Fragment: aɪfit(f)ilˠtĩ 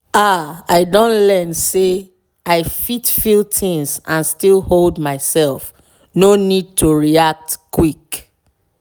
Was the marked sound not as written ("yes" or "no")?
no